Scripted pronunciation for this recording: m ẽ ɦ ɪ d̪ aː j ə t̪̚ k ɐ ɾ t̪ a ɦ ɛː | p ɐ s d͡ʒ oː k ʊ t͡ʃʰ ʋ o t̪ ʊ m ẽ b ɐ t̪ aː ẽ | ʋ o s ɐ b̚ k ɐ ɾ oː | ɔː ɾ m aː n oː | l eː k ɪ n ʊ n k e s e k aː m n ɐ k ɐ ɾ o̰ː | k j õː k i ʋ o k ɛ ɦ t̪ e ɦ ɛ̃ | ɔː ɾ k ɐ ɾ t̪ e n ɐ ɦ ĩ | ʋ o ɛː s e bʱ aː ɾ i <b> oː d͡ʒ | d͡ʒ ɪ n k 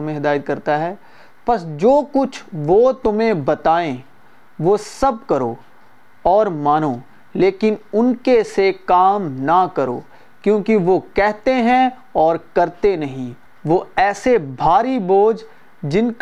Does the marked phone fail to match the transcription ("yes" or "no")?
no